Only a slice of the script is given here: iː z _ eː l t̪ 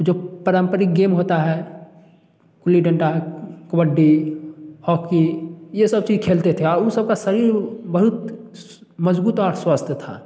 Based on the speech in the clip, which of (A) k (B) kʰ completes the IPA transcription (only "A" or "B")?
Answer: B